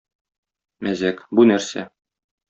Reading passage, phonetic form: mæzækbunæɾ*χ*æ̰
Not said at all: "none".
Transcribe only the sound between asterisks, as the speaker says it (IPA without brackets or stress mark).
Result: s